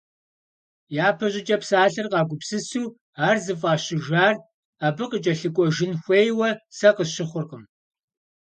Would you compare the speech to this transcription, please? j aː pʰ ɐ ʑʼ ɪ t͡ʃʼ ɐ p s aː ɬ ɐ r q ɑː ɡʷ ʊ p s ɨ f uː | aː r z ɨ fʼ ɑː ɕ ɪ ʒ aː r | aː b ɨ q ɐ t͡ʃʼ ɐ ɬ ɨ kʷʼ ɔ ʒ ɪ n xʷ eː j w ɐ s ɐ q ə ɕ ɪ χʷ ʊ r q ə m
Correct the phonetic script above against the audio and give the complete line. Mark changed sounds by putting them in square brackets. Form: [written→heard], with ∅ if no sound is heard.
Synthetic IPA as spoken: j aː pʰ ɐ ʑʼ ɪ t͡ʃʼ ɐ p s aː ɬ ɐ r q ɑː ɡʷ ʊ p s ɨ [f→s] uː | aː r z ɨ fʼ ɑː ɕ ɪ ʒ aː r | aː b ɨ q [ɐ→ə] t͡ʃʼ ɐ ɬ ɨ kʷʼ ɔ ʒ ɪ n xʷ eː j w ɐ s ɐ q ə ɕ ɪ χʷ ʊ r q ə m